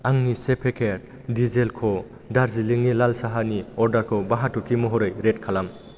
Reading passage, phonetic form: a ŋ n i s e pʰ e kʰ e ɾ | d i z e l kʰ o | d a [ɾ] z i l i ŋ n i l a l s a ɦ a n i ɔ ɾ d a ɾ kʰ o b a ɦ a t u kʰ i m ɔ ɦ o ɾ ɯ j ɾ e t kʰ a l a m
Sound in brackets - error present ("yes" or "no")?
no